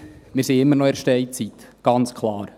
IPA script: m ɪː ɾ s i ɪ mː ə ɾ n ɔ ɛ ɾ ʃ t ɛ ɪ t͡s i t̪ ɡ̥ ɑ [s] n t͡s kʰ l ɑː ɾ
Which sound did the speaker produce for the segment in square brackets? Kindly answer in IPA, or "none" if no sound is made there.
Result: none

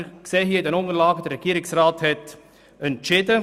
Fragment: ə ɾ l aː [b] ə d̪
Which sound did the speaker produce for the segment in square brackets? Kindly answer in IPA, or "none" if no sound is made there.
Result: ɡ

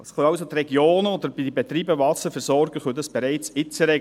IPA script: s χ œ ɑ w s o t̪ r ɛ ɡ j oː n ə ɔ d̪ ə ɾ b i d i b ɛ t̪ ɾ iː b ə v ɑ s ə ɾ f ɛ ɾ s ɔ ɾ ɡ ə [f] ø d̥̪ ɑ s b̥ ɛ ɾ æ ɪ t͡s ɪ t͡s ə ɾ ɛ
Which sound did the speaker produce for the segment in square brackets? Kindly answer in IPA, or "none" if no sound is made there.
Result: χ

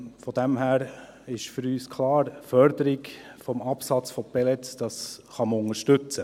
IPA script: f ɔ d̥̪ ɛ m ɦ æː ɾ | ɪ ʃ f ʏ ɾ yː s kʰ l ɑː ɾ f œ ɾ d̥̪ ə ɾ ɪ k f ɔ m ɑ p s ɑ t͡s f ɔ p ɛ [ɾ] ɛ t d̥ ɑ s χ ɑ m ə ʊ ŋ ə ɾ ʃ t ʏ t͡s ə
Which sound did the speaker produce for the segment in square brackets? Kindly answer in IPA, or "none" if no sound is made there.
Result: l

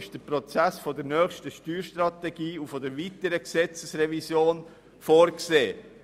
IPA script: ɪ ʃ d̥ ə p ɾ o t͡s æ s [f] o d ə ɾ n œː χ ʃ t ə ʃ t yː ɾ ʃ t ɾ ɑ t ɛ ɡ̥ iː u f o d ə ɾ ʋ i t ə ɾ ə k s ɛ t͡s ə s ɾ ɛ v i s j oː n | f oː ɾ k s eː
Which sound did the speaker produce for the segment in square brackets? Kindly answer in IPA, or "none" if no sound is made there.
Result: f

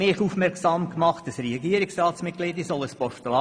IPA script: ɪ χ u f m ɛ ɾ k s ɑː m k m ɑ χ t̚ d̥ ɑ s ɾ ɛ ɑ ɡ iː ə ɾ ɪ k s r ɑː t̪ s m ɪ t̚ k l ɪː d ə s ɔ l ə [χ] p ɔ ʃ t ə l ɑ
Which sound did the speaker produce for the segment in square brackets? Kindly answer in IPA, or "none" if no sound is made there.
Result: s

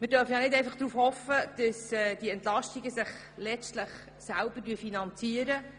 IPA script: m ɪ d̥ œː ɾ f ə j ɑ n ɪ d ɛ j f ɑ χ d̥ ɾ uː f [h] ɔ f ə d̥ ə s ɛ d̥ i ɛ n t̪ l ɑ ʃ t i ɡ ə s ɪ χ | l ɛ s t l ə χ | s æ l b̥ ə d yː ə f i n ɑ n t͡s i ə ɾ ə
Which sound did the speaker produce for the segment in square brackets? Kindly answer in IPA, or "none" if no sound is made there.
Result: h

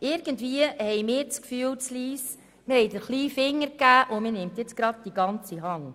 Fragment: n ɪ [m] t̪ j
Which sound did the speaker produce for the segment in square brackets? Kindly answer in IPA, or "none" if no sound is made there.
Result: m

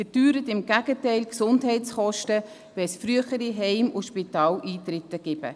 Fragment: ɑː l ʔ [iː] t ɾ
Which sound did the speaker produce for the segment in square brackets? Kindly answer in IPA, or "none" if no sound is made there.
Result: iː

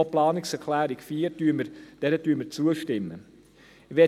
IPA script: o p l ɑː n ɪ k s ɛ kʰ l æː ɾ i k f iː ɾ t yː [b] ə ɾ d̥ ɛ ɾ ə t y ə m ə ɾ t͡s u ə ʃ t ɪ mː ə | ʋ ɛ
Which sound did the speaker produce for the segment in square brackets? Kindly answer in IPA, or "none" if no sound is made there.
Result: m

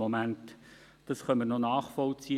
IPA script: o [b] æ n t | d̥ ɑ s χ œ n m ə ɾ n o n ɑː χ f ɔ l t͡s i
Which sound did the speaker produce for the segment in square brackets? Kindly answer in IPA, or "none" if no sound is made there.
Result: m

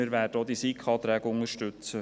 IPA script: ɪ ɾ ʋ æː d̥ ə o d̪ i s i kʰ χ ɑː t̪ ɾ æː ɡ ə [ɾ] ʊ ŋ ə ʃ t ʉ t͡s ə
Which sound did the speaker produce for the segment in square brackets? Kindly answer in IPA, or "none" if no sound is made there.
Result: none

